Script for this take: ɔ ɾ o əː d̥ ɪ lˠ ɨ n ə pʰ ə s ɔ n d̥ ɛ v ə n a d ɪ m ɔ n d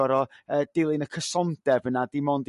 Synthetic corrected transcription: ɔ ɾ ɔ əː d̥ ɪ lˠ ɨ n ə kʰ ə s ɔ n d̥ ɛ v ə n a d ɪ m ɔ n d